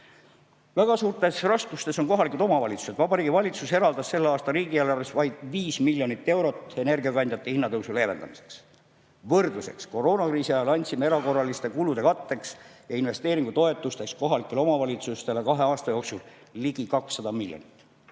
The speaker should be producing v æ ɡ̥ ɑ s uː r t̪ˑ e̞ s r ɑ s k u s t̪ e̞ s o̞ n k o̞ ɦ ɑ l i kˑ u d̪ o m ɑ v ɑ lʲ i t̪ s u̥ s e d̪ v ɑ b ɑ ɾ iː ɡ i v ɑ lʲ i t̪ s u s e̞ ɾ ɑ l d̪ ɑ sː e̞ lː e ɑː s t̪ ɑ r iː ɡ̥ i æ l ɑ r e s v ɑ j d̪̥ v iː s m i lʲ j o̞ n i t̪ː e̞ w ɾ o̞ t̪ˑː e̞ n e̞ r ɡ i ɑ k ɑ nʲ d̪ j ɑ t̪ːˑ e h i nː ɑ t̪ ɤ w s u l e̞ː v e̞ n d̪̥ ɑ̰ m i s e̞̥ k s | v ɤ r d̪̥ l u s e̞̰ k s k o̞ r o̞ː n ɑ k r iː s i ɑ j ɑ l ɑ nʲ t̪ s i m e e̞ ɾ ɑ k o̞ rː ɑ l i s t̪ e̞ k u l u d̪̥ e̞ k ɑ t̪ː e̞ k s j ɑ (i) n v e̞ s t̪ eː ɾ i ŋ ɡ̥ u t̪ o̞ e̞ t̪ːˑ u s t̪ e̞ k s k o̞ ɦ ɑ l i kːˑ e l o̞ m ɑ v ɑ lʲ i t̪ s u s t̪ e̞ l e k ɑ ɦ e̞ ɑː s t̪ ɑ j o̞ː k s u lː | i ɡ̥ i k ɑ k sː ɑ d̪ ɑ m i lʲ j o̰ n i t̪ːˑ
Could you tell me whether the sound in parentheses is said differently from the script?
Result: no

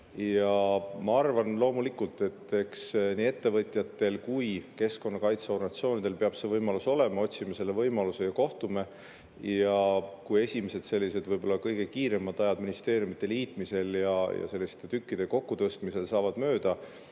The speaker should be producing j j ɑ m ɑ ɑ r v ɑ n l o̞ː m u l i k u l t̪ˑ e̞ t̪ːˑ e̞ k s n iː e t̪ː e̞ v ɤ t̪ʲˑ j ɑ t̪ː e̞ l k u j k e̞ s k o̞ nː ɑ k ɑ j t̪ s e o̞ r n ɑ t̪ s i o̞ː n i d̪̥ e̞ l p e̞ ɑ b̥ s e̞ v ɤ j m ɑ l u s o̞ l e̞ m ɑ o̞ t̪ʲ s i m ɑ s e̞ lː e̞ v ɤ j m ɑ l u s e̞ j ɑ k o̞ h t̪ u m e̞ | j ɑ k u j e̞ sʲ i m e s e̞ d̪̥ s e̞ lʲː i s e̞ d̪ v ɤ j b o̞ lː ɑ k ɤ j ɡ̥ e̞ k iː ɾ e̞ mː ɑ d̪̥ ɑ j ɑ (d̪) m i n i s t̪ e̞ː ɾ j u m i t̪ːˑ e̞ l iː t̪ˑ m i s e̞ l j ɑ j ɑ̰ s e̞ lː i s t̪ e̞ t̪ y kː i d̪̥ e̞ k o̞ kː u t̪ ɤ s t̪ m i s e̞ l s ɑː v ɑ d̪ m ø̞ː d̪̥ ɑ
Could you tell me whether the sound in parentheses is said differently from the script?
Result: no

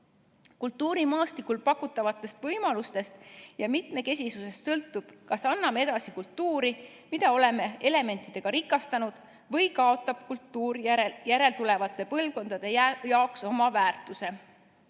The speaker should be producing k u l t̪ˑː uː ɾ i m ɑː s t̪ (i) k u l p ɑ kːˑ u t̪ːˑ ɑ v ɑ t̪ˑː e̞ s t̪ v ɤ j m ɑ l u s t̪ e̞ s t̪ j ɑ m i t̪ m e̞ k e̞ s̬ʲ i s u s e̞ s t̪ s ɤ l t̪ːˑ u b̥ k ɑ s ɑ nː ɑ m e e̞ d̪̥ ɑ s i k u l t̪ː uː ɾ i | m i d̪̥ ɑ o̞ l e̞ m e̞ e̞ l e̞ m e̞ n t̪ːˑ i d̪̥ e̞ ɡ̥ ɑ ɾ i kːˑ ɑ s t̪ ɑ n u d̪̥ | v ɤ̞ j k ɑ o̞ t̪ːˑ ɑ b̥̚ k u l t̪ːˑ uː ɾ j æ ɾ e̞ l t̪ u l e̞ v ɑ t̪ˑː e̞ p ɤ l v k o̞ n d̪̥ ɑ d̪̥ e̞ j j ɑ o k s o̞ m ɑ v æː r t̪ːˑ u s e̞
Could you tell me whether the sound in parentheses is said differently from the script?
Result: no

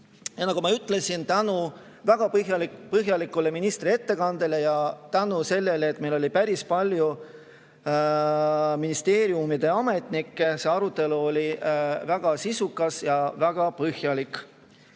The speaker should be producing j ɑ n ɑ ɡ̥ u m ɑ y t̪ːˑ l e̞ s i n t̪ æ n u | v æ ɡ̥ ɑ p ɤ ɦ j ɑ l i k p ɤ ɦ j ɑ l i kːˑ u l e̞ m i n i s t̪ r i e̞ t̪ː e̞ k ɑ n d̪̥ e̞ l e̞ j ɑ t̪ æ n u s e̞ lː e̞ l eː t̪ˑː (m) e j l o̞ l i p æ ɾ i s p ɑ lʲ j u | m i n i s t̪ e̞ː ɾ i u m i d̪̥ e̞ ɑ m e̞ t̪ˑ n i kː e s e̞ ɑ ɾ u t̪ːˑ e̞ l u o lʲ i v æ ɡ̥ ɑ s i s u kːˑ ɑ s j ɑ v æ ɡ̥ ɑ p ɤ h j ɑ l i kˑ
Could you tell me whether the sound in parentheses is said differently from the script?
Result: no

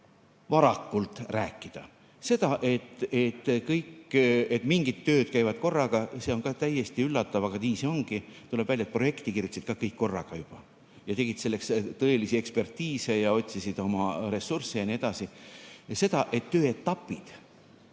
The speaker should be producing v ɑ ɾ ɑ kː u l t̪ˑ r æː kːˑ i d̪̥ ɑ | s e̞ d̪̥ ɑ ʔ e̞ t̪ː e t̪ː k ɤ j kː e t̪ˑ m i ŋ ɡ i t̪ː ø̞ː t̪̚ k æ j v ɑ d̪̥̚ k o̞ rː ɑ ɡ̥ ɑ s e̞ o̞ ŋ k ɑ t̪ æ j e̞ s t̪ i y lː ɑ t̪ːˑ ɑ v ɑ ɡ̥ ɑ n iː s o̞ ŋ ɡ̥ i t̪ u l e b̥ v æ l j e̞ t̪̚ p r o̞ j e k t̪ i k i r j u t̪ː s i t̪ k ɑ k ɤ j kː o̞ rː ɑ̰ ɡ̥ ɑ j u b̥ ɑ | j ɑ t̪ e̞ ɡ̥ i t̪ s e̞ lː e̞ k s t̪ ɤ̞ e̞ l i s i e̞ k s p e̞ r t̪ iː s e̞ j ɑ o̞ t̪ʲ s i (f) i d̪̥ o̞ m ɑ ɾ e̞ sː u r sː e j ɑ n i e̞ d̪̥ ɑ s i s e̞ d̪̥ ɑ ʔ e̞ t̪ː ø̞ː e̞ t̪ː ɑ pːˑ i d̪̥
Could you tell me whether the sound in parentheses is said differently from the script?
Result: yes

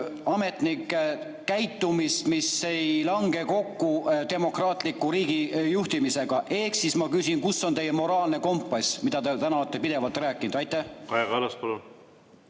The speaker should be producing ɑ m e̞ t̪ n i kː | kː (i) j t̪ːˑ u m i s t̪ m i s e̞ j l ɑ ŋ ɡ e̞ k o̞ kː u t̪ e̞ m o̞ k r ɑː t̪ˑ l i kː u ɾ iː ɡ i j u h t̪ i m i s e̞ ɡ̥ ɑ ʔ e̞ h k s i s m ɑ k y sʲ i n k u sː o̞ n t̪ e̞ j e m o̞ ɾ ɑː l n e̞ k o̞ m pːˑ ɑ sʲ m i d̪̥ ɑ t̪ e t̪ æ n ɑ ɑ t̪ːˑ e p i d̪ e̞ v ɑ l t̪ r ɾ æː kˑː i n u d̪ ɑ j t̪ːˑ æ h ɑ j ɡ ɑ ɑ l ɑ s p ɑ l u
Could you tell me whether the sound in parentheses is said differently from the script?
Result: yes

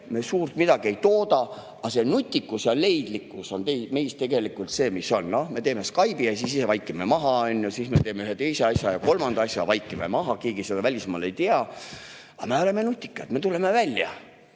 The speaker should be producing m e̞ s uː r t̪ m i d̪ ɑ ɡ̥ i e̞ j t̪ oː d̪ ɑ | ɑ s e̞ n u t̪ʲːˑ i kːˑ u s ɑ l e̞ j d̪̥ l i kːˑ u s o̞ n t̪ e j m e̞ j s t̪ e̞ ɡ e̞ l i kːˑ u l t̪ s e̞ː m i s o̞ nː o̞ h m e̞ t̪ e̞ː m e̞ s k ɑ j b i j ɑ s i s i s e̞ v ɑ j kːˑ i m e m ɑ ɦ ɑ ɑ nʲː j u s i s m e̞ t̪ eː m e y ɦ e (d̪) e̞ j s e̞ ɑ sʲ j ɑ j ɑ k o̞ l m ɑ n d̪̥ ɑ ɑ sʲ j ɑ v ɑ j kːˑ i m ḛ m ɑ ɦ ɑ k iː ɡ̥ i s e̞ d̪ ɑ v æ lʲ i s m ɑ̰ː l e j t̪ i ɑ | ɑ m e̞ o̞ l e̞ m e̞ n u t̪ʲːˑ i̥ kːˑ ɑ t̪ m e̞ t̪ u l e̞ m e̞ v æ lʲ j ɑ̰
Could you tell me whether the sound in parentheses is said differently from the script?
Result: yes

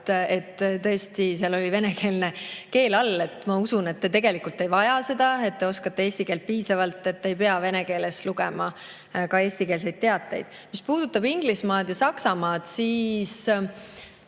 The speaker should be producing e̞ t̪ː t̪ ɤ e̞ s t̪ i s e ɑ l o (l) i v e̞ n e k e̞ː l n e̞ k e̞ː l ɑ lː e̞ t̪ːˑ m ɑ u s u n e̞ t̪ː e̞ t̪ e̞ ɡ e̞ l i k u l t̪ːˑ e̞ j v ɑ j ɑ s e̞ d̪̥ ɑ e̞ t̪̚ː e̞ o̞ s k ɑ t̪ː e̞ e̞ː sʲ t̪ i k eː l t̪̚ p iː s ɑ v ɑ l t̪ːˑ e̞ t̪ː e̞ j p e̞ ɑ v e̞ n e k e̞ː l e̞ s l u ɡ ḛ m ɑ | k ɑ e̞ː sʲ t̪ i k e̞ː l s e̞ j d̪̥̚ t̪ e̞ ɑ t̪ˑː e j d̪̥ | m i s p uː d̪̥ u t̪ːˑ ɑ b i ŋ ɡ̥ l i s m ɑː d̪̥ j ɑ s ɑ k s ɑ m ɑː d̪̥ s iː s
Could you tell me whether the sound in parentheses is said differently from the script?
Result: no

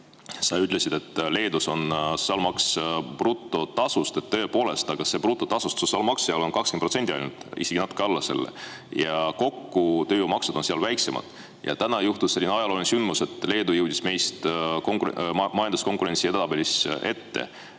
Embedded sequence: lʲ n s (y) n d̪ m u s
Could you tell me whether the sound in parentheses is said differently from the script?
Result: no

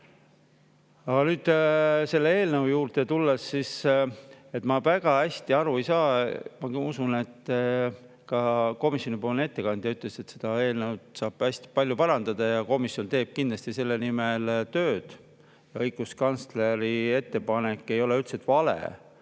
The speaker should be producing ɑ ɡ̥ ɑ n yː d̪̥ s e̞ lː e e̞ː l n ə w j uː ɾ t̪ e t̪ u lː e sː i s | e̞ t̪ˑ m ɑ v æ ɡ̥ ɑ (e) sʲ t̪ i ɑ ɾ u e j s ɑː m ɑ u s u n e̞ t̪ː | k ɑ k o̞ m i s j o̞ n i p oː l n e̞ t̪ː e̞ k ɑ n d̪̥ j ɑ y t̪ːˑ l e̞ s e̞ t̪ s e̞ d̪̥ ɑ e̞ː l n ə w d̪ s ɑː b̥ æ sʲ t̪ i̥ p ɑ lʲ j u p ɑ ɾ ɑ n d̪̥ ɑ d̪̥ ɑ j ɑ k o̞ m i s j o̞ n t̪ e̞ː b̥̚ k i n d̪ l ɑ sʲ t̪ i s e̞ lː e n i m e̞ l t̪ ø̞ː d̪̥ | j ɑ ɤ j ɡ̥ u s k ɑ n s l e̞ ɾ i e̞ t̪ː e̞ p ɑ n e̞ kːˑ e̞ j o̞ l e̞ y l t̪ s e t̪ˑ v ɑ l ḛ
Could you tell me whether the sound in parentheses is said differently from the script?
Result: yes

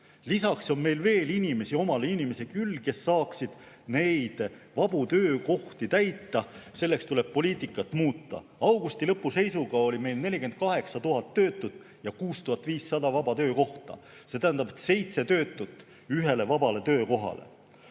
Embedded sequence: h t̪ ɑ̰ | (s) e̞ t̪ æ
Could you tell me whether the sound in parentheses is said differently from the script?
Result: no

